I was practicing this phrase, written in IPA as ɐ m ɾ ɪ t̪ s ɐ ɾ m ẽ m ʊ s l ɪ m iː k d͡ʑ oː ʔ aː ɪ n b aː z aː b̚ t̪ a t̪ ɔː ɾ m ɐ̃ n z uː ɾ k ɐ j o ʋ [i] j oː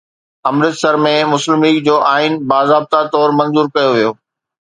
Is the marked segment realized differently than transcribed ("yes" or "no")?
no